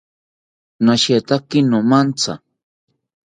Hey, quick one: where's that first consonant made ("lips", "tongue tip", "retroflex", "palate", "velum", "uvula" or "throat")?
tongue tip